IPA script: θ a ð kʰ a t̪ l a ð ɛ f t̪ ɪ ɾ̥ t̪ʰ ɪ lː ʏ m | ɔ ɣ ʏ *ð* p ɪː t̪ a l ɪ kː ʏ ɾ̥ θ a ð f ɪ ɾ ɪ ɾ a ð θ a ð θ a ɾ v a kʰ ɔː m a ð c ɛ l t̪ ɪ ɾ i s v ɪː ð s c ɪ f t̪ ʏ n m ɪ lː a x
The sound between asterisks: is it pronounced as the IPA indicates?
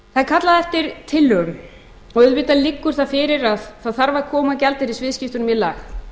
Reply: yes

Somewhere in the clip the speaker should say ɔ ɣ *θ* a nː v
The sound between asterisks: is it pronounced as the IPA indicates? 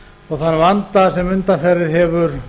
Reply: yes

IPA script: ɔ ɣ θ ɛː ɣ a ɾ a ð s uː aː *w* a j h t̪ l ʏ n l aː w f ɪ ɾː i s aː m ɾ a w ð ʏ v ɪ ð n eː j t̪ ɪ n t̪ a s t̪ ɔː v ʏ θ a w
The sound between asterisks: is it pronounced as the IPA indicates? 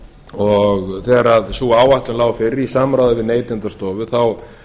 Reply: yes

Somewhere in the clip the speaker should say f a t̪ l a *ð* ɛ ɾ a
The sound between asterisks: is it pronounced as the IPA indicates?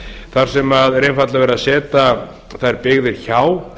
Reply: no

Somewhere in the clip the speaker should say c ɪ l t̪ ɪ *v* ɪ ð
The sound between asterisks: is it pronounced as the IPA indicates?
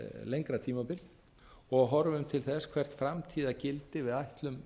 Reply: yes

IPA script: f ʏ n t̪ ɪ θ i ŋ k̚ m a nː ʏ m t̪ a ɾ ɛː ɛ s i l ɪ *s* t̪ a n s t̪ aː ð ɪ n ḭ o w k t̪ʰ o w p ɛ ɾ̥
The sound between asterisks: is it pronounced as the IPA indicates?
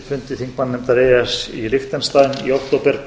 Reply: no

